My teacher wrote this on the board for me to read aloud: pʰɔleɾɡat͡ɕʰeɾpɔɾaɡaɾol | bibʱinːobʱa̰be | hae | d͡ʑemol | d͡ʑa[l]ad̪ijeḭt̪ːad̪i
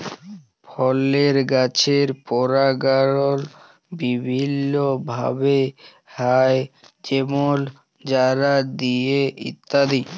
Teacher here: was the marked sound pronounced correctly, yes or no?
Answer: no